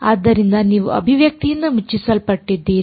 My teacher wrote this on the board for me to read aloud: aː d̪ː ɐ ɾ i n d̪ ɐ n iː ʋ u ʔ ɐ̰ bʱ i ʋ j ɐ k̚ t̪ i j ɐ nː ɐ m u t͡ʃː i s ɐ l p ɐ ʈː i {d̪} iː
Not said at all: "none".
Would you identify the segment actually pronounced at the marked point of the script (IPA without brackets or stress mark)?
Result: d̪ː